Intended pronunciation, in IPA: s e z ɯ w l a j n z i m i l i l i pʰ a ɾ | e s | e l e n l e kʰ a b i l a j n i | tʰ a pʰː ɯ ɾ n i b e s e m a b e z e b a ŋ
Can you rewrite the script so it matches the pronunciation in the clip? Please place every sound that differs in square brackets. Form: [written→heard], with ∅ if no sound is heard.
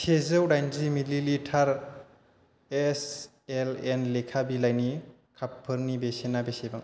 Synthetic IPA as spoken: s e z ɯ w [l→ɾ] a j n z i m i l i l i [pʰ→tʰ] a ɾ | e s | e l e n l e kʰ a b i l a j n i | [tʰ→kʰ] a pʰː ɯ ɾ n i b e s e [m→n] a b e [z→s] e b a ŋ